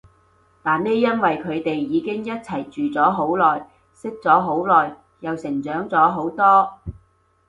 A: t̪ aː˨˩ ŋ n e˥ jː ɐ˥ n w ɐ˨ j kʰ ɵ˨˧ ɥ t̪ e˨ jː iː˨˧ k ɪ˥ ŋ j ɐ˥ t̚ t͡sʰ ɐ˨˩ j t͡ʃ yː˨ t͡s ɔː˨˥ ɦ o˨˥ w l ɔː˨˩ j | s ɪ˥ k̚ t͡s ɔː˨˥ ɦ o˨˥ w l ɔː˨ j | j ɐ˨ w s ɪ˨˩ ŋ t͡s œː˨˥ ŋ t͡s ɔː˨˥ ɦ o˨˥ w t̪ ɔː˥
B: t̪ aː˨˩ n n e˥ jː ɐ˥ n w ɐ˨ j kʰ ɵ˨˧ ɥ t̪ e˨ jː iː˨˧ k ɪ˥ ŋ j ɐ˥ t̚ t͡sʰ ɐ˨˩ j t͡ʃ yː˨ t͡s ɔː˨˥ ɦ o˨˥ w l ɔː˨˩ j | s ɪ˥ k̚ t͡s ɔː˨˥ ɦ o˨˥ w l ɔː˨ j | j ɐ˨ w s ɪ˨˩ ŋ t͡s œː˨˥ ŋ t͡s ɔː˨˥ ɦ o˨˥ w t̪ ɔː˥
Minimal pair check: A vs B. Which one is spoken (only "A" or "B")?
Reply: B